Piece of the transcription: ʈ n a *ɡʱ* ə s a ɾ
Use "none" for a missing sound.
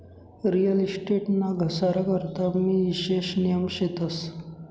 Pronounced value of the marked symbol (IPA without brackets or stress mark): ɡʱ